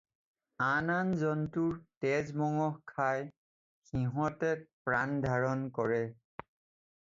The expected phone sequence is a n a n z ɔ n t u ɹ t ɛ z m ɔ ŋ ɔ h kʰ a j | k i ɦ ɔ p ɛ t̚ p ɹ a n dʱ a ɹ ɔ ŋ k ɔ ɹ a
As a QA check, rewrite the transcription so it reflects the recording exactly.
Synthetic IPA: a n a n z ɔ n t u ɹ t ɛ z m ɔ ŋ ɔ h kʰ a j | x i ɦ ɔ t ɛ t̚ p ɹ a n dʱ a ɹ ɔ n k ɔ ɹ ɛ

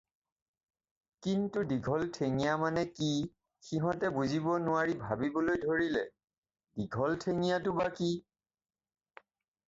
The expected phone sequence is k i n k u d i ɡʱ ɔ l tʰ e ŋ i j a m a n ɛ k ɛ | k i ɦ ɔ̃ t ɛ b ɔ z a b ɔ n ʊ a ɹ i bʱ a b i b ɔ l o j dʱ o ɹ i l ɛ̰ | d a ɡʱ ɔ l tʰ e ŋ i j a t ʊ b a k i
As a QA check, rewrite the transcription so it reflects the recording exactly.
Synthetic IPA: k i n t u d i ɡʱ ɔ l tʰ e ŋ i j a m a n ɛ k i | x i ɦ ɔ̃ t ɛ b u z i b ɔ n ʊ a ɹ i bʱ a b i b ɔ l o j dʱ o ɹ i l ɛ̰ | d i ɡʱ ɔ l tʰ e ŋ i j a t ʊ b a k i

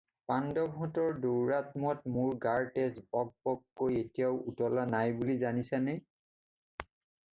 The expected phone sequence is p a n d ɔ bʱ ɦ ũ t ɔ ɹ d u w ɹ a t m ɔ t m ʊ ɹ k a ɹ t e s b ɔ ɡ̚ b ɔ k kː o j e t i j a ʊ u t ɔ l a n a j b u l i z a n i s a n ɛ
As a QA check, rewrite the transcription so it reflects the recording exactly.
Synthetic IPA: p a n d ɔ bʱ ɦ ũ t ɔ ɹ d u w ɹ a t m ɔ t m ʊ ɹ ɡ a ɹ t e s b ɔ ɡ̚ b ɔ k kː o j e t i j a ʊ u t ɔ l a n a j b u l i z a n i s a n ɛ

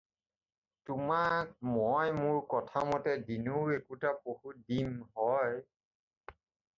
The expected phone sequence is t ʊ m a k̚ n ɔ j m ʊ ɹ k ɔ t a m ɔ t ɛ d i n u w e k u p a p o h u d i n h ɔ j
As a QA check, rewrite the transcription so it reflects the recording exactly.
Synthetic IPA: t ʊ m a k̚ m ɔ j m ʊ ɹ k ɔ tʰ a m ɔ t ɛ d i n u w e k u t a p o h u d i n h ɔ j

